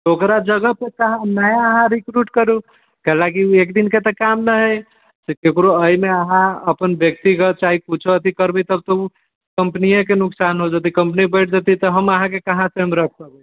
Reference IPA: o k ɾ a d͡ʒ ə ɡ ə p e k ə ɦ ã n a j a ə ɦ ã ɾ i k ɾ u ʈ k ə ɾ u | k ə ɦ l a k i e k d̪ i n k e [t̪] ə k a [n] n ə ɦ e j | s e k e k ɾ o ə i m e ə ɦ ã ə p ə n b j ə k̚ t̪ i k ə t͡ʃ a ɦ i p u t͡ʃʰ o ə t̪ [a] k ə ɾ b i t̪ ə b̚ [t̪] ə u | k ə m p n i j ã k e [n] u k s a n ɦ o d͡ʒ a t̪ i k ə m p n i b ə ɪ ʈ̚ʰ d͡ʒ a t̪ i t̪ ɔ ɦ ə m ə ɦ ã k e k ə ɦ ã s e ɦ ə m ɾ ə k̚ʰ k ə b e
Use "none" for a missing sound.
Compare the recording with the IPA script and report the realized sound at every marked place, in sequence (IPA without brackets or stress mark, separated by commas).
t̪, m, i, t̪, n